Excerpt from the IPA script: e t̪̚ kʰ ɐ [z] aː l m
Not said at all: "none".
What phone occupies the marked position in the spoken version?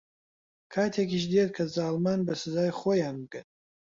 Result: z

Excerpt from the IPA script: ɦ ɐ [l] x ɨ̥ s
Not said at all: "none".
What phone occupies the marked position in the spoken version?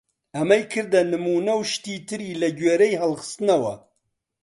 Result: l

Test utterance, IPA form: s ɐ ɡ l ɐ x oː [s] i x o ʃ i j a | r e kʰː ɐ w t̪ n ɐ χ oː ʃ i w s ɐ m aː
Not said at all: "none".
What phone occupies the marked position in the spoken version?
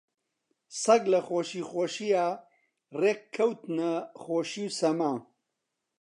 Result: ʃ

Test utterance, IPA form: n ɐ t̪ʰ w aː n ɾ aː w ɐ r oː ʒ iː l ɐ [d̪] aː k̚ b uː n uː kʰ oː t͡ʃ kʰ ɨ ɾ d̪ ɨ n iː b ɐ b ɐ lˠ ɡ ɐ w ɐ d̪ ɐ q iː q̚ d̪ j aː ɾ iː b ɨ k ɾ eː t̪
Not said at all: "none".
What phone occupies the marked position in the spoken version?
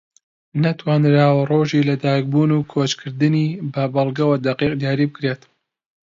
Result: d̪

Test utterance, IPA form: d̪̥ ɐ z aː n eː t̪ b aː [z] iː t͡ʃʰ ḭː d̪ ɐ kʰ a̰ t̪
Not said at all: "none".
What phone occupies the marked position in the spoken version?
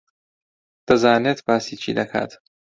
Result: s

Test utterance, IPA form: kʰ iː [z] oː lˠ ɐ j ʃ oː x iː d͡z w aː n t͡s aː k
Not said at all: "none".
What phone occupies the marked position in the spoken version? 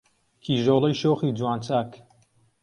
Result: ʒ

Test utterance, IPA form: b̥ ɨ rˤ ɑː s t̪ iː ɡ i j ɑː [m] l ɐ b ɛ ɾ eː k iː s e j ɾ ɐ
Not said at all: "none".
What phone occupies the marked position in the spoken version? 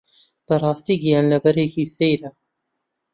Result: n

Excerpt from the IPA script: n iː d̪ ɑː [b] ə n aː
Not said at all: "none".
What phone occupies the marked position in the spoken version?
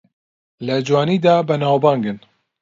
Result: b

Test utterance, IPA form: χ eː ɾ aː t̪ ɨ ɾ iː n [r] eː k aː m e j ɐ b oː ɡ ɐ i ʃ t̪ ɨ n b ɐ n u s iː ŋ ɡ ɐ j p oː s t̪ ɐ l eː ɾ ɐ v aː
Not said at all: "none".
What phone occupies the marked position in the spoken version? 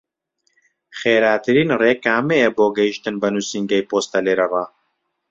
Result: r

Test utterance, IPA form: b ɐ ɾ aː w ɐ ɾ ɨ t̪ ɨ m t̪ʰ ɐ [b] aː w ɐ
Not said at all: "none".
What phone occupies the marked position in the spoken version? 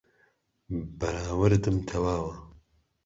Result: w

